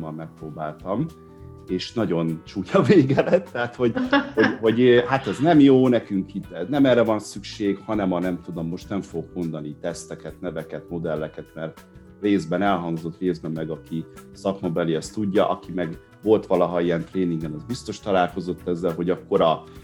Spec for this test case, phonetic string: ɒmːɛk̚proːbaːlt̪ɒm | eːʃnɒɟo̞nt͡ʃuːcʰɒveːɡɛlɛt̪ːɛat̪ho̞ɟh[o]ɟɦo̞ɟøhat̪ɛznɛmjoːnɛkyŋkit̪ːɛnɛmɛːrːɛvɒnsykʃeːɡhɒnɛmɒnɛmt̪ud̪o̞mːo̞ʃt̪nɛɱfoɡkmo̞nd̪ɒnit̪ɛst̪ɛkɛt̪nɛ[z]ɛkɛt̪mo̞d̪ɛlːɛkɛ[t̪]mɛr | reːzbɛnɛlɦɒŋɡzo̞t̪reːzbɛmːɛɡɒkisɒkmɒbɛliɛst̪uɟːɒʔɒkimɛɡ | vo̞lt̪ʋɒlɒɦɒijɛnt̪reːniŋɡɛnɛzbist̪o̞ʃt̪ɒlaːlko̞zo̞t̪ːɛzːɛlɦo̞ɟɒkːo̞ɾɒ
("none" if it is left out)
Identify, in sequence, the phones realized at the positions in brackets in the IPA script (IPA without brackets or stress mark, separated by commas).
o, v, t̪